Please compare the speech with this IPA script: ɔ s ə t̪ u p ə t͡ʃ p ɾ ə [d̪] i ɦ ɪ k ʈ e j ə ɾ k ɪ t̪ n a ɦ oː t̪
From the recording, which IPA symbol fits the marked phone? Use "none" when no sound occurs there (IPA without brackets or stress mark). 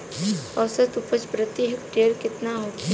t̪